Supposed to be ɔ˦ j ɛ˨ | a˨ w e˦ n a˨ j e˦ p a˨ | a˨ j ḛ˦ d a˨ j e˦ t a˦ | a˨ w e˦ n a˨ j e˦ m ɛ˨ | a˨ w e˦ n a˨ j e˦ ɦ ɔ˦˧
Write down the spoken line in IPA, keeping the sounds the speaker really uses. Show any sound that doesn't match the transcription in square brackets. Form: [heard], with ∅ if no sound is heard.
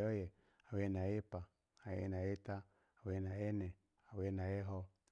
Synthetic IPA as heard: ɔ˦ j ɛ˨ | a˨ w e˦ n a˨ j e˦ p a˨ | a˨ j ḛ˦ [n] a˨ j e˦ t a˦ | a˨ w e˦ n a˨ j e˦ [n] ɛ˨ | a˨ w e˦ n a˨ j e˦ ɦ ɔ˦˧